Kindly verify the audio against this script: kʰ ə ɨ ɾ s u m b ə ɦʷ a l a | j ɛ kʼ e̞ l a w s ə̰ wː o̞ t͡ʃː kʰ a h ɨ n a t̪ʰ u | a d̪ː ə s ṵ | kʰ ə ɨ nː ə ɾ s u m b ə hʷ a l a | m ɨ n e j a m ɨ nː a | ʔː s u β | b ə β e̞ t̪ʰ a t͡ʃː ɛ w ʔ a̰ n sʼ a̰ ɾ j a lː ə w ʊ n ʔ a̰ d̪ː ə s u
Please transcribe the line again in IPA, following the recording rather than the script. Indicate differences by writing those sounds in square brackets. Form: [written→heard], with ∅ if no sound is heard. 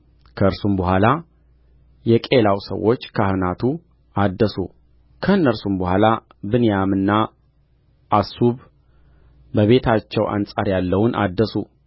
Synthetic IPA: kʰ ə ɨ ɾ s u m b ə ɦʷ a l a | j ɛ kʼ e̞ l a w s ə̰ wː o̞ t͡ʃː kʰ a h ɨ n a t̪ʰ u | a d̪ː ə s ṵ | kʰ ə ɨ nː ə ɾ s u m b ə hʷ a l a | [m→b] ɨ n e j a m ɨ nː a | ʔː s u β | b ə β e̞ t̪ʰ a t͡ʃː ɛ w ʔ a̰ n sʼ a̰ ɾ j a lː ə w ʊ n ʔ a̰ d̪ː ə s u